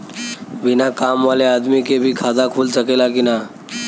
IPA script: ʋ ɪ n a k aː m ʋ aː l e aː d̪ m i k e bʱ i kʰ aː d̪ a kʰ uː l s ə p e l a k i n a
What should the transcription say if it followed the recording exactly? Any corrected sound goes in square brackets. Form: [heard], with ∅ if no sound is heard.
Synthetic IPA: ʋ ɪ n a k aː m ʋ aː l e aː d̪ m i k e bʱ i kʰ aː d̪ a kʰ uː l s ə [k] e l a k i n a